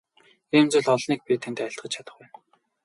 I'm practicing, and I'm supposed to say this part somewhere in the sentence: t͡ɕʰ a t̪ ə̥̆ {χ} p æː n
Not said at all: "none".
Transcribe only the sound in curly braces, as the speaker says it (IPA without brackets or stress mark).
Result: χ